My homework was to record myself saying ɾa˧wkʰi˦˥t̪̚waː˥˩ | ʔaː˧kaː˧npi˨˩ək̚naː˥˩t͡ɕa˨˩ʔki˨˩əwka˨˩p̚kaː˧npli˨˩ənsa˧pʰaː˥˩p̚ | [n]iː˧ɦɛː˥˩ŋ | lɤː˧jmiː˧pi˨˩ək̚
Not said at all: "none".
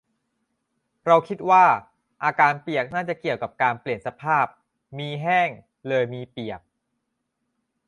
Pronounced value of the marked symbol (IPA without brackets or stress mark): m